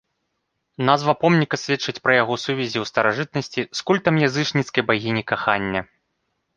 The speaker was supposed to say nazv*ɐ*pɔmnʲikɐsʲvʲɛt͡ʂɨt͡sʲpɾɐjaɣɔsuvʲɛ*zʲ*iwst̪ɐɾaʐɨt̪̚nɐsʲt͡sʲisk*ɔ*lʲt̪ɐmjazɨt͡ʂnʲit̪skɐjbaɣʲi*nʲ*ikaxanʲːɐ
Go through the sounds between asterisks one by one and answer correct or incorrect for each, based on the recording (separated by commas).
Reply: correct, correct, incorrect, correct